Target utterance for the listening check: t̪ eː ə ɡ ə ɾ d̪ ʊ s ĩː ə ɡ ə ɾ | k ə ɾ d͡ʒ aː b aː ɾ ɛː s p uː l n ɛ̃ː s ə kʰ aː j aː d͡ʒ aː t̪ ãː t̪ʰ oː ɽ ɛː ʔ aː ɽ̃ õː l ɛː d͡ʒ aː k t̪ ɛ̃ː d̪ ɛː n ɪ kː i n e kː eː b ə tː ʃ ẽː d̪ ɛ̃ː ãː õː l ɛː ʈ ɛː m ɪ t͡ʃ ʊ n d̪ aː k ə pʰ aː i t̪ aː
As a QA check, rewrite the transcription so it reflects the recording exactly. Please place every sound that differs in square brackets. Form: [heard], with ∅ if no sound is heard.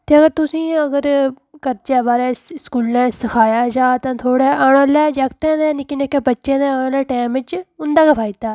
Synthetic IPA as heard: t̪ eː ə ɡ ə ɾ [t̪] ʊ s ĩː ə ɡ ə ɾ | k ə ɾ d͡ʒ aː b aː ɾ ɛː s [k] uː l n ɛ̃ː s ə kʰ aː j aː d͡ʒ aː t̪ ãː t̪ʰ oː ɽ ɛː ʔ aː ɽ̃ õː l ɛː d͡ʒ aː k t̪ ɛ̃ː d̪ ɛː n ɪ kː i n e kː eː b ə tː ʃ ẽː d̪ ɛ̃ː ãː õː l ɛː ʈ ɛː m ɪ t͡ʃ ʊ n d̪ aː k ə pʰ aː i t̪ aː